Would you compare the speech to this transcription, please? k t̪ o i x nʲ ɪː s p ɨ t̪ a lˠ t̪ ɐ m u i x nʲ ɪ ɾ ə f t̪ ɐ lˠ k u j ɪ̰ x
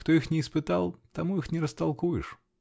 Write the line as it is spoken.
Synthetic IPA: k t̪ o i x nʲ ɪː s p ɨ t̪ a lˠ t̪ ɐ m u i x nʲ ɪ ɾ ə s t̪ ɐ lˠ k u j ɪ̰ ʂ